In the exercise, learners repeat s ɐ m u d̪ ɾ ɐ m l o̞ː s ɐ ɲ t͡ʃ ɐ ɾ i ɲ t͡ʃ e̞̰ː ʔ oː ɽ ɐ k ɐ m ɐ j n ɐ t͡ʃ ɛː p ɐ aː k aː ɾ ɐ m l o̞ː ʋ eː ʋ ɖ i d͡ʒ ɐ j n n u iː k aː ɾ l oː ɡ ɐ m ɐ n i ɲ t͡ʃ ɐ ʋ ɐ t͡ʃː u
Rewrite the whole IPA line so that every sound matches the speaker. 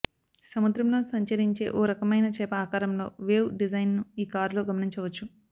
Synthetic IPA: s ɐ m u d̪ ɾ ɐ m l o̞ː s ɐ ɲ t͡ʃ ɐ ɾ i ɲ t͡ʃ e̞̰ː ʔ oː ɾ ɐ k ɐ m ɐ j n ɐ t͡ʃ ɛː p ɐ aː k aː ɾ ɐ m l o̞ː ʋ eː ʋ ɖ i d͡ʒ ɐ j n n u iː k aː ɾ l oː ɡ ɐ m ɐ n i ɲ t͡ʃ ɐ ʋ ɐ t͡ʃː u